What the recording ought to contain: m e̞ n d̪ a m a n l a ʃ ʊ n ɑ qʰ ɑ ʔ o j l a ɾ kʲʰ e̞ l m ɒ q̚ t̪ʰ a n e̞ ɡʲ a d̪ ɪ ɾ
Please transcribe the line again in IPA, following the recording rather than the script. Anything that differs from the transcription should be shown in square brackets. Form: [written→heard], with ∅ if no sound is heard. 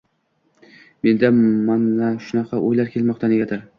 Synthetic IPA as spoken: m e̞ n d̪ a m a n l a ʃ ʊ n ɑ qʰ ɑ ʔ o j l a ɾ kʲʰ e̞ l m ɒ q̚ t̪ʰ a n e̞ ɡʲ a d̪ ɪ ɾ